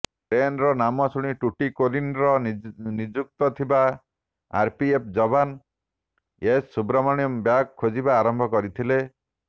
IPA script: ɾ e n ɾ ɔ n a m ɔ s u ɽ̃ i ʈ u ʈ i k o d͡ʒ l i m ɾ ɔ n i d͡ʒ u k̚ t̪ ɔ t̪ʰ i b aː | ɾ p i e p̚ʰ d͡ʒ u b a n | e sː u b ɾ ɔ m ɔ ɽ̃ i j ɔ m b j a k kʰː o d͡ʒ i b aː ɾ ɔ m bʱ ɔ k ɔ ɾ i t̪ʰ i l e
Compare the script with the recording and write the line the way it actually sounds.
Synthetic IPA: ɾ e n ɾ ɔ n a m ɔ s u ɽ̃ i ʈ u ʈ i k o l i n ɾ ɔ n i d͡ʒ u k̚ t̪ ɔ t̪ʰ i b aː | ɾ p i e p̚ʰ d͡ʒ ɔ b a n | e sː u b ɾ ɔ m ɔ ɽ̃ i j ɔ m b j a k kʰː o d͡ʒ i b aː ɾ ɔ m bʱ ɔ k ɔ ɾ i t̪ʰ i l e